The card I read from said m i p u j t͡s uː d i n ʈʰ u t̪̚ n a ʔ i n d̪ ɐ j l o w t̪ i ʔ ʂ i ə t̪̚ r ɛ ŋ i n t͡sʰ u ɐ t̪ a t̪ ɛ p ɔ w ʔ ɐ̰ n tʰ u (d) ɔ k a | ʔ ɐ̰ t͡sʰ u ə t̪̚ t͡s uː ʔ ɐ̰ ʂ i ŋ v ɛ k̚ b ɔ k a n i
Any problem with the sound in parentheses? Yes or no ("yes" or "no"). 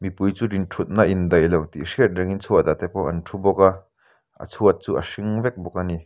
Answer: yes